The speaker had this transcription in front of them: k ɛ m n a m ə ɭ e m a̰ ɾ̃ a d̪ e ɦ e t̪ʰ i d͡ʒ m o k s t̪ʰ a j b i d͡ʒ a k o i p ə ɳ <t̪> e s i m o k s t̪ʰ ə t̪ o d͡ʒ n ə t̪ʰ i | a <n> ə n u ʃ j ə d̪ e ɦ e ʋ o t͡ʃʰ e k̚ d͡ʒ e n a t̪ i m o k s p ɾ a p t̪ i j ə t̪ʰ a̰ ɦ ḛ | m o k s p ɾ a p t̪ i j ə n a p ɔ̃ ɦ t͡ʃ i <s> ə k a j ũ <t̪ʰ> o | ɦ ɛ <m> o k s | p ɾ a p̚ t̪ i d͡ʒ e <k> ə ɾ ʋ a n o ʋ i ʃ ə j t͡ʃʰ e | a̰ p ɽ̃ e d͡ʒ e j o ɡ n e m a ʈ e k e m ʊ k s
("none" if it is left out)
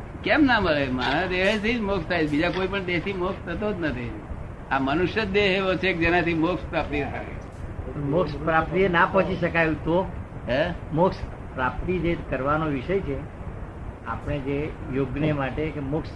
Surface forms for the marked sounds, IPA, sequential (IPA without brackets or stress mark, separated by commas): d̪, m, ʃ, t̪, m, k